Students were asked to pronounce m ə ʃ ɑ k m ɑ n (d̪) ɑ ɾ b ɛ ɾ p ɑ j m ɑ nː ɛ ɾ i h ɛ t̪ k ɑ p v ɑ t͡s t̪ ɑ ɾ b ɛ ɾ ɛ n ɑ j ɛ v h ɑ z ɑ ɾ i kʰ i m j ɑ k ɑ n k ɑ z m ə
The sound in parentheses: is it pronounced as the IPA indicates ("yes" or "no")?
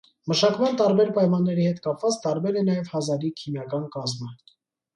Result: no